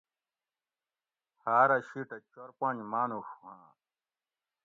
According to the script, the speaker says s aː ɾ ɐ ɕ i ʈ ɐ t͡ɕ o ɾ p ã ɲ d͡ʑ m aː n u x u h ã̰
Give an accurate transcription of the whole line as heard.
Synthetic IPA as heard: h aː ɾ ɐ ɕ i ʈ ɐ t͡ɕ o ɾ p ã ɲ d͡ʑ m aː n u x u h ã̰